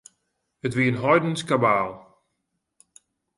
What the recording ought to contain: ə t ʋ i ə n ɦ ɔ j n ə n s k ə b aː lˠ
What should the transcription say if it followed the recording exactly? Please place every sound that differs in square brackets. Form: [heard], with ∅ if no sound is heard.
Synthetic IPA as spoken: ə t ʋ i ə n ɦ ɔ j [d] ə n s k [a] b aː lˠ